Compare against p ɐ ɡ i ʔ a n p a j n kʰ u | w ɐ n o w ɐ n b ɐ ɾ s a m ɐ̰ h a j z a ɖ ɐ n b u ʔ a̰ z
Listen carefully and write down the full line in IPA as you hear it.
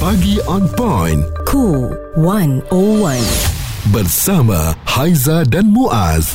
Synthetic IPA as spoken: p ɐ ɡ i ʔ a n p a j n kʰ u | w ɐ n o w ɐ n b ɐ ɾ s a m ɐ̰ h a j z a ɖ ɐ n m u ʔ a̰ z